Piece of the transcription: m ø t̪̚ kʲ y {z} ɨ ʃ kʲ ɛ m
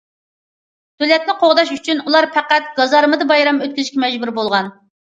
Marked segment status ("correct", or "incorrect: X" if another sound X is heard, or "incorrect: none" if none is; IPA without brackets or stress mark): correct